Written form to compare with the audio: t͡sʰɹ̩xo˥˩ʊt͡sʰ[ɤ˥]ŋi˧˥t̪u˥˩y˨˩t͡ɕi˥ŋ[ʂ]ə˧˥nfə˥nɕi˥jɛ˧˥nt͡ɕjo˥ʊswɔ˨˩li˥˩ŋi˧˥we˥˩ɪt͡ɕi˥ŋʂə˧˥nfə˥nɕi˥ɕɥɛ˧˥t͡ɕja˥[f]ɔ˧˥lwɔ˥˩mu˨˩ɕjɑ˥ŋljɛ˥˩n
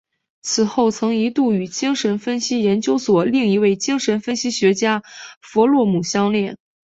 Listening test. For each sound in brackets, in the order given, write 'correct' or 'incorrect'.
incorrect: ɤ˧˥, correct, correct

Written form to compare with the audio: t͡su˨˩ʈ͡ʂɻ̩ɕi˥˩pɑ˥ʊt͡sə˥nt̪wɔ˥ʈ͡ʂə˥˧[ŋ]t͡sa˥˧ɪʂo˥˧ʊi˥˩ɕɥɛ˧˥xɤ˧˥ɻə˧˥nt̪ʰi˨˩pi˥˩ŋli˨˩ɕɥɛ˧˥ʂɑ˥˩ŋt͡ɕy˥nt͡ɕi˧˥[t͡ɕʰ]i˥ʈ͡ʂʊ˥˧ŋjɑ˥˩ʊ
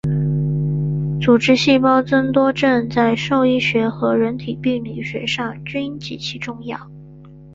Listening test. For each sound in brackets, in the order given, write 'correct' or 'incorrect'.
incorrect: n, correct

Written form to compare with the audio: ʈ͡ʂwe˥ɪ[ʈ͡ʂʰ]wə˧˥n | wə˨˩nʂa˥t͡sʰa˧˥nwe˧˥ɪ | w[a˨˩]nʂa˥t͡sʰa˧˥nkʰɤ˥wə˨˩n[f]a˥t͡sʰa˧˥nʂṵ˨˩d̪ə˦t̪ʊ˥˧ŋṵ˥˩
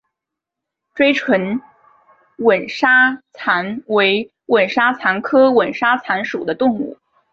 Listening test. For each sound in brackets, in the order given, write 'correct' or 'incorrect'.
correct, incorrect: ə˨˩, incorrect: ʂ

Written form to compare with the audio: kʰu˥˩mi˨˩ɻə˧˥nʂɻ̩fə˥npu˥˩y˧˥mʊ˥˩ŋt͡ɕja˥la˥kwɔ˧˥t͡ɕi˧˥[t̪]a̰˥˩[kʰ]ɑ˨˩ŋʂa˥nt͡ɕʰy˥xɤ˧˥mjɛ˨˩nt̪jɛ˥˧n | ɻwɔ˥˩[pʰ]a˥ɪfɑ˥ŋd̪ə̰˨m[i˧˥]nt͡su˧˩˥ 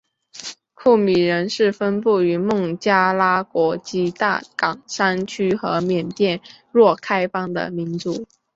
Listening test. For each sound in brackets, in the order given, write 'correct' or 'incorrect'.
correct, incorrect: k, incorrect: kʰ, correct

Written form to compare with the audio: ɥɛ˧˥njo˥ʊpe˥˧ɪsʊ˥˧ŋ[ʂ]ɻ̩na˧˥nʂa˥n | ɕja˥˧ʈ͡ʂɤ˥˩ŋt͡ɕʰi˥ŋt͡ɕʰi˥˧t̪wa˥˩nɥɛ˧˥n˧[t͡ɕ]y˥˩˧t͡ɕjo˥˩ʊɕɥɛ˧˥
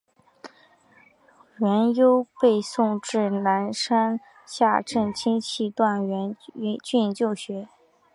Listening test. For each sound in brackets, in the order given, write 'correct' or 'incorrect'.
incorrect: ʈ͡ʂ, correct

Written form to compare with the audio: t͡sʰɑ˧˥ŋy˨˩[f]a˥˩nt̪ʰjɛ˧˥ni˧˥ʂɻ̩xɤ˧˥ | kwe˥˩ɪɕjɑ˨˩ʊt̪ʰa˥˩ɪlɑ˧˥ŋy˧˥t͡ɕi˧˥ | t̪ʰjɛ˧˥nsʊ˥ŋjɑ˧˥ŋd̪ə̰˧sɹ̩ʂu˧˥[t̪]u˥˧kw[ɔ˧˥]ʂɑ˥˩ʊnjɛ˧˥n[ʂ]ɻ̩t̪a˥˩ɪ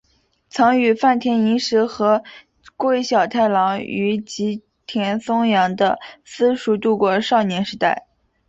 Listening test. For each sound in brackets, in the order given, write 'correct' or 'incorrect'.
correct, correct, incorrect: ɔ˥˧, correct

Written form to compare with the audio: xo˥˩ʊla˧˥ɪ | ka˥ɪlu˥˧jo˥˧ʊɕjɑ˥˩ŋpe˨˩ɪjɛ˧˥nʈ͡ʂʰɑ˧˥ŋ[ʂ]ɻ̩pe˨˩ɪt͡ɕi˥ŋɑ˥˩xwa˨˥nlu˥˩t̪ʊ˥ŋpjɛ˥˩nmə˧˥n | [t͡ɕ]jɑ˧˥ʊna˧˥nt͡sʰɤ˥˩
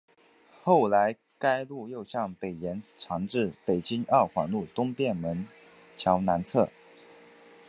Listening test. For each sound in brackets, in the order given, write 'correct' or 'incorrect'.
incorrect: ʈ͡ʂ, incorrect: t͡ɕʰ

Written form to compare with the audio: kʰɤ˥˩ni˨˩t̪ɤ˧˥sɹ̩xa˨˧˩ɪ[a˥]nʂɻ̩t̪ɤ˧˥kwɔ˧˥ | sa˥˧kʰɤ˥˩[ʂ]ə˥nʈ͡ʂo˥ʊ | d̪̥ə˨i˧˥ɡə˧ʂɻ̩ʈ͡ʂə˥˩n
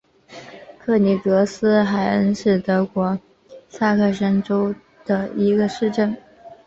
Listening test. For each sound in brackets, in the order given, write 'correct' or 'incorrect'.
incorrect: ə˥, correct

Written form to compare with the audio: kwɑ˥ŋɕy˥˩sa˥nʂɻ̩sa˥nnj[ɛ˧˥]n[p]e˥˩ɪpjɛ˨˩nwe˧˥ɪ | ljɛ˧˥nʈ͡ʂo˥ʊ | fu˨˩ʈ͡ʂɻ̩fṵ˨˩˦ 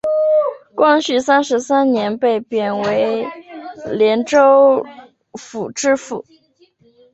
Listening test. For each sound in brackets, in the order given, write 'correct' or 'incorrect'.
correct, correct

